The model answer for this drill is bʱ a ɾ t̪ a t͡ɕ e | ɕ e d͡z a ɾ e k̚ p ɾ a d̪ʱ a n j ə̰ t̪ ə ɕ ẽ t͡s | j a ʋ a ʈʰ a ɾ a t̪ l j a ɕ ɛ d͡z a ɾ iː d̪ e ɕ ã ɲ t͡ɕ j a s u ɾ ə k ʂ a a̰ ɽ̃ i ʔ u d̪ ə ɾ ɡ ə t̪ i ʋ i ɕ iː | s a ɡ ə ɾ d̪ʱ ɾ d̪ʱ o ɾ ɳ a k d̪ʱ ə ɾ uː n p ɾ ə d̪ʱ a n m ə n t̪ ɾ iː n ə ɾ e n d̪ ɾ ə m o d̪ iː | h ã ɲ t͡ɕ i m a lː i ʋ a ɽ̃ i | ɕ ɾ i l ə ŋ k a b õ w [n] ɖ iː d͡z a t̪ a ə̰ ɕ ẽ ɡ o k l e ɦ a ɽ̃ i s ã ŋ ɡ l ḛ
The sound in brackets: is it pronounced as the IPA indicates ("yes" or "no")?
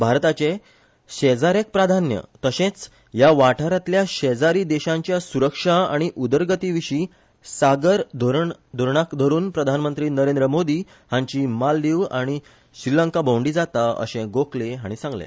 no